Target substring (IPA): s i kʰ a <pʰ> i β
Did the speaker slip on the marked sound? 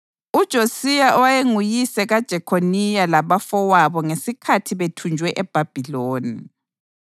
yes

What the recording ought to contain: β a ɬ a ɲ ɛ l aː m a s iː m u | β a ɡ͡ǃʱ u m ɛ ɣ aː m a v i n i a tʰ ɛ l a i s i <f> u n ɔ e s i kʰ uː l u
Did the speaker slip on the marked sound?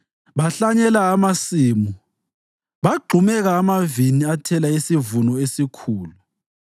yes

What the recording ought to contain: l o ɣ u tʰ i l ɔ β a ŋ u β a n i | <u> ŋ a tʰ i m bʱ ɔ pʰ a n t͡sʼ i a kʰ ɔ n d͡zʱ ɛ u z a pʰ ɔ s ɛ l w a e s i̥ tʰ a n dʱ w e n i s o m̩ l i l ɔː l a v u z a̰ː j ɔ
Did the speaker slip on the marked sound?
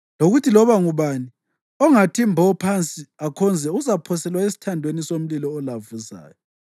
yes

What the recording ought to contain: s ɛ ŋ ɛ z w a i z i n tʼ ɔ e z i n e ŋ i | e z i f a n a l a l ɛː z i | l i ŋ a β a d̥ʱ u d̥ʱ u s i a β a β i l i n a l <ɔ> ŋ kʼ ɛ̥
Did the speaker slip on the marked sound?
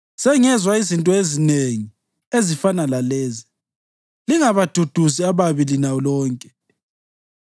yes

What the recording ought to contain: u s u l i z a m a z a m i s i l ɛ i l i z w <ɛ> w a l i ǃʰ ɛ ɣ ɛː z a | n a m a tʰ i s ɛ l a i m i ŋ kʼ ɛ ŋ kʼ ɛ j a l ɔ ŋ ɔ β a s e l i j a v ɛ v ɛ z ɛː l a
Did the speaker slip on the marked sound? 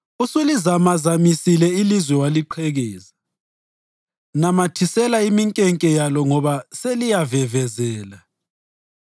no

